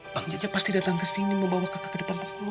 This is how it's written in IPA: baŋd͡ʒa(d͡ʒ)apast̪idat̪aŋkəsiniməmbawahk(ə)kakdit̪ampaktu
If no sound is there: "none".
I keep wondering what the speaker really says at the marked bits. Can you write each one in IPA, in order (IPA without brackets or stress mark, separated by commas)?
d͡ʒ, a